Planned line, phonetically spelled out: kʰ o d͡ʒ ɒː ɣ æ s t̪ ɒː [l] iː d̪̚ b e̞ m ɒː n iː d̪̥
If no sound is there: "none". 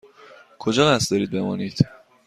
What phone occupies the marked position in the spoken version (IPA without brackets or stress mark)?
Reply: ɾ